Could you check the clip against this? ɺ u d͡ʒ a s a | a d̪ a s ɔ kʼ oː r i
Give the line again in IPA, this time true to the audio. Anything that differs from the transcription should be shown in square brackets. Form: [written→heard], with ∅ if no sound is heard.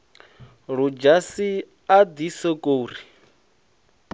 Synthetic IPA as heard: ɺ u d͡ʒ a s [a→i] | a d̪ [a→i] s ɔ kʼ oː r i